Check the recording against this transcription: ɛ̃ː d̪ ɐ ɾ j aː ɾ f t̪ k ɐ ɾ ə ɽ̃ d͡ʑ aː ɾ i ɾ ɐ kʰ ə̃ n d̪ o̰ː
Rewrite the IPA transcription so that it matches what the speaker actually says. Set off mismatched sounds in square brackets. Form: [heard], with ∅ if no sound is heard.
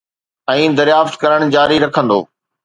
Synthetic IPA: ɛ̃ː d̪ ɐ ɾ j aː [∅] f t̪ k ɐ ɾ ə ɽ̃ d͡ʑ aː ɾ i ɾ ɐ kʰ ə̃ n d̪ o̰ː